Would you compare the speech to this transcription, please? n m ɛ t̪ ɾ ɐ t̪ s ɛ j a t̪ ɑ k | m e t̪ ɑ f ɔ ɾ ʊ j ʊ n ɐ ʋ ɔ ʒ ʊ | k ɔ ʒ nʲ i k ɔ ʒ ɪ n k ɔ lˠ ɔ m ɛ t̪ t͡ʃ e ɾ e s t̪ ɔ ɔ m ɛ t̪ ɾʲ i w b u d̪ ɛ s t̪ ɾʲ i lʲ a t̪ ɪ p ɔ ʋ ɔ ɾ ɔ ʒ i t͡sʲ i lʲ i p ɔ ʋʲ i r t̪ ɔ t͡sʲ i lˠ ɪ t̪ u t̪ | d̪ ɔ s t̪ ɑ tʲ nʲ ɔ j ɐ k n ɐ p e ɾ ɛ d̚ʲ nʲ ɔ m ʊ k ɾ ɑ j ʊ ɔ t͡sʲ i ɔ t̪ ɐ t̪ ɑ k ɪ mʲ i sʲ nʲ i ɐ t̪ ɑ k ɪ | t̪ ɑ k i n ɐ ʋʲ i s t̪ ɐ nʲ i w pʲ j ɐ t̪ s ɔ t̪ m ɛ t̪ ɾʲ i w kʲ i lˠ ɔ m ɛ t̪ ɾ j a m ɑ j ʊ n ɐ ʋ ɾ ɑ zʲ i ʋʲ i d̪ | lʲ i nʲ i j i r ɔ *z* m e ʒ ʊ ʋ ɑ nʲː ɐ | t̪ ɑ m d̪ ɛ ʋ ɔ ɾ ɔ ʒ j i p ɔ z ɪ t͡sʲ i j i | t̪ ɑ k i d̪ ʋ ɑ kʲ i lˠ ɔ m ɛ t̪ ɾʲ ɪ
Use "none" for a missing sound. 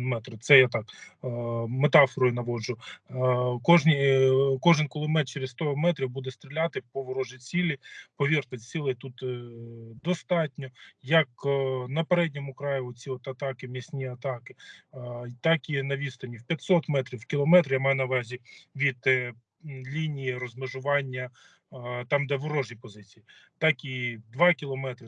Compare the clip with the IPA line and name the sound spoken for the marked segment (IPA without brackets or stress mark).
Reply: z